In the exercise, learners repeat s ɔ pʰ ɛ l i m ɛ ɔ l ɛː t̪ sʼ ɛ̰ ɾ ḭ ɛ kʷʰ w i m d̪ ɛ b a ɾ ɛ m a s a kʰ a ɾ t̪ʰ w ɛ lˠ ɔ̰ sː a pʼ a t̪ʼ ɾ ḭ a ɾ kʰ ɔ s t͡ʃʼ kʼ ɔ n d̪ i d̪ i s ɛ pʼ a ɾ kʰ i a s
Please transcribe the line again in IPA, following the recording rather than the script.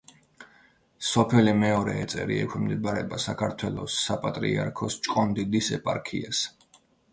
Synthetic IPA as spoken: s ɔ pʰ ɛ l i m ɛ ɔ ɾ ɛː t̪ sʼ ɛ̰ ɾ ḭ ɛ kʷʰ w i m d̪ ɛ b a ɾ ɛ b a s a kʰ a ɾ t̪ʰ w ɛ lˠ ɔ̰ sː a pʼ a t̪ʼ ɾ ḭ a ɾ kʰ ɔ s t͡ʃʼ kʼ ɔ n d̪ i d̪ i s ɛ pʼ a ɾ kʰ i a s